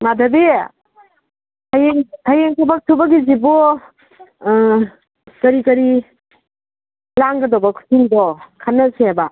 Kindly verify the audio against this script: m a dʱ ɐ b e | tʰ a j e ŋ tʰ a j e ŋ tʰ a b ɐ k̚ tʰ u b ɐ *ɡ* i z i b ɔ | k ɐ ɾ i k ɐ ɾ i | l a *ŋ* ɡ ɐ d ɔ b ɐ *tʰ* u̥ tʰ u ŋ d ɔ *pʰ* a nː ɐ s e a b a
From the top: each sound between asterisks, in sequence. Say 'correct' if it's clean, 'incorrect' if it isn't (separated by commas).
correct, correct, incorrect, incorrect